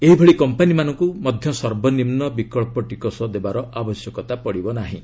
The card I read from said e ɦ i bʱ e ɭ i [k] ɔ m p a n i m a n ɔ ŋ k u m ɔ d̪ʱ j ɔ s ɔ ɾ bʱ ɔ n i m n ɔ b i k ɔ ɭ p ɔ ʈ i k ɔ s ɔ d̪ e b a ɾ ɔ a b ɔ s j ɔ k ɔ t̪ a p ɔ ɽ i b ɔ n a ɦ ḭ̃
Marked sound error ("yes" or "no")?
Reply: no